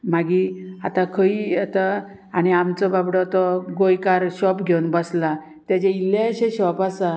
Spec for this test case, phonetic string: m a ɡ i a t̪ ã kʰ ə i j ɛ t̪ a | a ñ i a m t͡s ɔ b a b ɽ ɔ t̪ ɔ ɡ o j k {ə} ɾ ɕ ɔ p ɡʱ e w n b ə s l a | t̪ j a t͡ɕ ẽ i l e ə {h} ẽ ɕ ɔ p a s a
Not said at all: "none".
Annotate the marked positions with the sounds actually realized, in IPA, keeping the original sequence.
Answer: a, ɕ

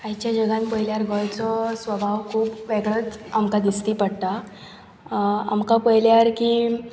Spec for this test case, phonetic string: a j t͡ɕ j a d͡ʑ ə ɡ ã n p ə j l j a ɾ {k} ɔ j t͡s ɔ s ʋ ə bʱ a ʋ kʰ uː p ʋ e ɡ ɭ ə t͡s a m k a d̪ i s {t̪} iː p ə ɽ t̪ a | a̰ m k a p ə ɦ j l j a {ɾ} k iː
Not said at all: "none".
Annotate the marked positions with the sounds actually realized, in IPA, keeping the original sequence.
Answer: ɡ, t̪, ɾ

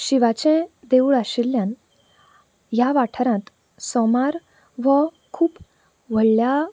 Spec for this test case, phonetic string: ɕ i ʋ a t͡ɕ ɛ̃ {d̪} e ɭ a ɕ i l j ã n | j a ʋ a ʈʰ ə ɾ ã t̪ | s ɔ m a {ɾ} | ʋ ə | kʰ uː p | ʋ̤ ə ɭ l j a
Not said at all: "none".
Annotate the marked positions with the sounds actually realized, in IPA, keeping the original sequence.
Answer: d̪, ɾ

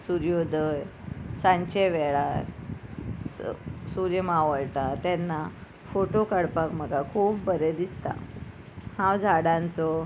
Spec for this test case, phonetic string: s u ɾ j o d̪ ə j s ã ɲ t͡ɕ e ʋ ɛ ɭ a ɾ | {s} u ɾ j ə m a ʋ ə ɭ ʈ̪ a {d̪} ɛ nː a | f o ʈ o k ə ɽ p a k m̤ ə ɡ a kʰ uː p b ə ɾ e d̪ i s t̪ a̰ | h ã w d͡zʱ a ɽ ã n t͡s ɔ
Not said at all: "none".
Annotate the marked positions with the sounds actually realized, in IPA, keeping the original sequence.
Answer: s, t̪

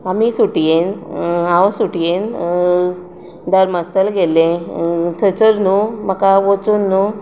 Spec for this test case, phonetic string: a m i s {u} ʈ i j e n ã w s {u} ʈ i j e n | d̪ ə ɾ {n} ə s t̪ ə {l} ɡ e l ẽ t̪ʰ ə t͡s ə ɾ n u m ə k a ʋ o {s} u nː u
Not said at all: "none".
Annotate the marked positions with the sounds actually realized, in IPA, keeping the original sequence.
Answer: u, u, m, l, t͡s

